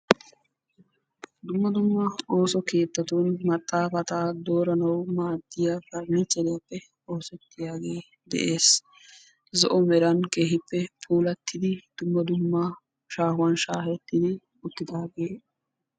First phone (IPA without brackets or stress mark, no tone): d̪